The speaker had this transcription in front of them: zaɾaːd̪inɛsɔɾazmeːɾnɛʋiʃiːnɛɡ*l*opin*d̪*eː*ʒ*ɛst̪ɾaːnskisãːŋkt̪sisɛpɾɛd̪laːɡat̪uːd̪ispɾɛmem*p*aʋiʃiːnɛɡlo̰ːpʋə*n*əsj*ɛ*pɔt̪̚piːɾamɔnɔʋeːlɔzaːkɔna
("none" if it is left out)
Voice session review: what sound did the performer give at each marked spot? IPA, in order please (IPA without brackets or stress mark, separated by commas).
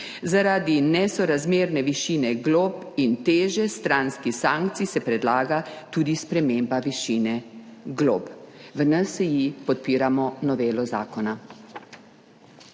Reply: l, t̪, ʒ, b, n, i